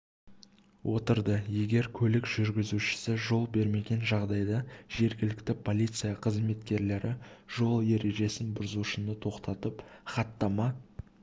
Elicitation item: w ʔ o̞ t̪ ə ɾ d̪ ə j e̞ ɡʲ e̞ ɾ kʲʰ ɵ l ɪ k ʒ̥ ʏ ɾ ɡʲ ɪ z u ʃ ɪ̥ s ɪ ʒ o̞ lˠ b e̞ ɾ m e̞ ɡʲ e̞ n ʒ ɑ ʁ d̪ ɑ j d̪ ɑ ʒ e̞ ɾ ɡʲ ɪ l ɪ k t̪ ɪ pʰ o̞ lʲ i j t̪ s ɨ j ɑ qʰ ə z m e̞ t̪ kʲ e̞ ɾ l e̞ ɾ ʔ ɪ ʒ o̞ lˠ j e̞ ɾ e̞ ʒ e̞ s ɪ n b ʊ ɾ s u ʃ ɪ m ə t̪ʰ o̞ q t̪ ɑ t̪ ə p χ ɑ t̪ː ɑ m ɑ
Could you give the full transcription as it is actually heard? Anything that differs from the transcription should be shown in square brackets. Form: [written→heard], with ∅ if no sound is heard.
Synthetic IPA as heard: w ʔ o̞ t̪ ə ɾ d̪ ə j e̞ ɡʲ e̞ ɾ kʲʰ ɵ l ɪ k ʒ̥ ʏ ɾ ɡʲ ɪ z u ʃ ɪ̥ s ɪ ʒ o̞ lˠ b e̞ ɾ m e̞ ɡʲ e̞ n ʒ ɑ ʁ d̪ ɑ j d̪ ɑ ʒ e̞ ɾ ɡʲ ɪ l ɪ k t̪ ɪ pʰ o̞ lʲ i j t̪ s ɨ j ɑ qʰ ə z m e̞ t̪ kʲ e̞ ɾ l e̞ ɾ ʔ ɪ ʒ o̞ lˠ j e̞ ɾ e̞ ʒ e̞ s ɪ n b ʊ ɾ [s→z] u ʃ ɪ [m→n] ə t̪ʰ o̞ q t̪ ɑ t̪ ə p χ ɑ t̪ː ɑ m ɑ